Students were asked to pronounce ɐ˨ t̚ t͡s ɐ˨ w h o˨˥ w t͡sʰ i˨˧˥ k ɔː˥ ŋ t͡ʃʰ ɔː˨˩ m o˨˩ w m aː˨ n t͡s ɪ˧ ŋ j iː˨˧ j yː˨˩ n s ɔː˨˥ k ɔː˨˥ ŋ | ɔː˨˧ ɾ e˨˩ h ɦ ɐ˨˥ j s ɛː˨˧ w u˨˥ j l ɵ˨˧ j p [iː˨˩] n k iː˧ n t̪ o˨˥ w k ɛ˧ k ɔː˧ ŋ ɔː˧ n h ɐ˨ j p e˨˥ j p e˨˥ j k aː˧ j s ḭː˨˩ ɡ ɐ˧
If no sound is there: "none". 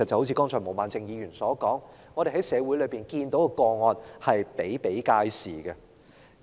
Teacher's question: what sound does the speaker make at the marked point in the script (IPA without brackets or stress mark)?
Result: iː˨˩